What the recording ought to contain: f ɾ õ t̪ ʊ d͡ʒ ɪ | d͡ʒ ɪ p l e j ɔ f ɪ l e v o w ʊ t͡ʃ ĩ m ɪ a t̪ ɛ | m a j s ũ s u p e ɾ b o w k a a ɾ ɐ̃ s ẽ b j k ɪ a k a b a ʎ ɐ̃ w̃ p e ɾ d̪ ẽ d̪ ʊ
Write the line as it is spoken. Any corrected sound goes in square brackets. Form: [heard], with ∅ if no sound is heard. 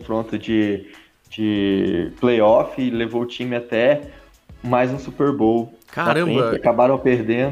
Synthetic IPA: f ɾ õ t̪ ʊ d͡ʒ ɪ | d͡ʒ ɪ p l e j ɔ f ɪ l e v o w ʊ t͡ʃ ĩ m ɪ a t̪ ɛ | m a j [z] ũ s u p e ɾ b o w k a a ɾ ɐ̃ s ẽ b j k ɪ a k a b a [ɾ] ɐ̃ w̃ p e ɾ d̪ ẽ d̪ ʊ